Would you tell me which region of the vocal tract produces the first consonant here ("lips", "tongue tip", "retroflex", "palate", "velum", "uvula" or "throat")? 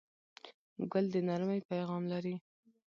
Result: velum